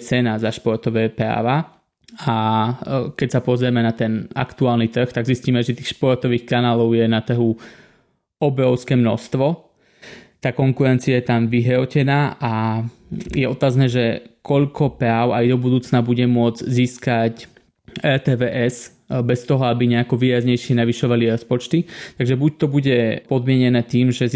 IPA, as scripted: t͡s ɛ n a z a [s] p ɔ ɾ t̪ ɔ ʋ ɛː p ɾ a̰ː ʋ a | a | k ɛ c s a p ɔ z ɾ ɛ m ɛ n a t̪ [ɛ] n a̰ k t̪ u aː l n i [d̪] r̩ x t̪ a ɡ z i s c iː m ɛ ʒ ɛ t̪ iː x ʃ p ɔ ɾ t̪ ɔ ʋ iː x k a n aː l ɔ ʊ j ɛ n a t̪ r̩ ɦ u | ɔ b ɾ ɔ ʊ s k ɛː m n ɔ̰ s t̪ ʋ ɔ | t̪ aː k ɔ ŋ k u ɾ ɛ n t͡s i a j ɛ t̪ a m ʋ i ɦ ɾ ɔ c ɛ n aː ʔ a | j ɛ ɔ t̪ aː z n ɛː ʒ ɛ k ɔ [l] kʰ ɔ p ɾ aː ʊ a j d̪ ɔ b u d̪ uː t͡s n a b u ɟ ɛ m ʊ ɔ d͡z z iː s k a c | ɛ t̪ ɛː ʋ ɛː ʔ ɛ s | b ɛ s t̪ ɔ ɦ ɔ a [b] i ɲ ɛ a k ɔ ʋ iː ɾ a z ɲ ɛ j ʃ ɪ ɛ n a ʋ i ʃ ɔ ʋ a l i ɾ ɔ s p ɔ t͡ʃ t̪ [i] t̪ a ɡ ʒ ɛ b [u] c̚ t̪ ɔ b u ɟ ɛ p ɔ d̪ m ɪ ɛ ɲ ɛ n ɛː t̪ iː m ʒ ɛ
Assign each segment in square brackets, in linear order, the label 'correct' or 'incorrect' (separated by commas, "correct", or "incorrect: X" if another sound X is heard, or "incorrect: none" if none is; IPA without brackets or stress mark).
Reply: incorrect: ʃ, correct, incorrect: t̪, incorrect: ʎ, correct, correct, correct